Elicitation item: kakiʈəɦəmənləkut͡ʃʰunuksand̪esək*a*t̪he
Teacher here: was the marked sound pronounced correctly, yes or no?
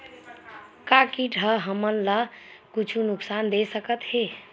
no